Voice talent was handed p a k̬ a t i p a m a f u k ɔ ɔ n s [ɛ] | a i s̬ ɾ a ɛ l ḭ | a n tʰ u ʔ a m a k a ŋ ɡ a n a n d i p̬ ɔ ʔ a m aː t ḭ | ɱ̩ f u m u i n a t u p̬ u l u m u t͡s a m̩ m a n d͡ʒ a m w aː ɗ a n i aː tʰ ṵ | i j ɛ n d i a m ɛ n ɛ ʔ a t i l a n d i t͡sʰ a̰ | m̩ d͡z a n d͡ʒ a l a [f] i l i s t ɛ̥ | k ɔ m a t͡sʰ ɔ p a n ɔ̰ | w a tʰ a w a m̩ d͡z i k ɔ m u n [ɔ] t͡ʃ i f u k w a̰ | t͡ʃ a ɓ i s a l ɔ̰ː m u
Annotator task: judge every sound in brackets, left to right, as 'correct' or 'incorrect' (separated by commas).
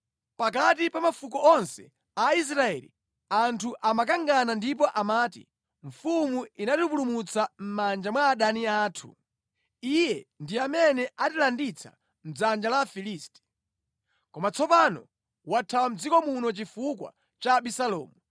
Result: correct, correct, correct